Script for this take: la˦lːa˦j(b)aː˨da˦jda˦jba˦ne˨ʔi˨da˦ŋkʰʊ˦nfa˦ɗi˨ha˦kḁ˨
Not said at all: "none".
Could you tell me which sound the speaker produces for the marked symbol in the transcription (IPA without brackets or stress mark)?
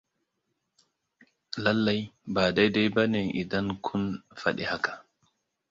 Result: b